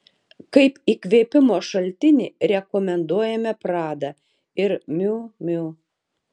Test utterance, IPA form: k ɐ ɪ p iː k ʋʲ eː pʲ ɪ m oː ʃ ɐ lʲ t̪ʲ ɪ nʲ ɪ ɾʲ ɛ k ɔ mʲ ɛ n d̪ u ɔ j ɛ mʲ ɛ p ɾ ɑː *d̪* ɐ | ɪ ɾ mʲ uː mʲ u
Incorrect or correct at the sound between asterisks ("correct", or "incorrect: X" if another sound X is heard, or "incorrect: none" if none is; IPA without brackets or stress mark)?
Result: correct